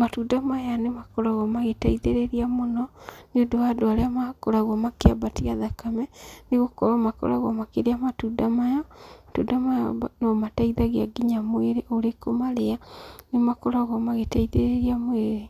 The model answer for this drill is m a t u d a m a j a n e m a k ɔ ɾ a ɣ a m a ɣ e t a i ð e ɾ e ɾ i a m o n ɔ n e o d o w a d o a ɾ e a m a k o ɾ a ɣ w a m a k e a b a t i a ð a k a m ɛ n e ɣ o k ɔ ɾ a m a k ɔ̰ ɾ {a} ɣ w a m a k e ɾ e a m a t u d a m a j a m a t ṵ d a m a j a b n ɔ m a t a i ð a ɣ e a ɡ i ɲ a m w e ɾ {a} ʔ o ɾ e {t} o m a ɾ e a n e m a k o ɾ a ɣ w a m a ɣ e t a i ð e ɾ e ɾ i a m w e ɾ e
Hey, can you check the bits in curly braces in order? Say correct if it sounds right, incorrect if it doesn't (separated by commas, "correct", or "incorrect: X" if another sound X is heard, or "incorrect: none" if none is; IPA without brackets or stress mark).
correct, incorrect: e, incorrect: k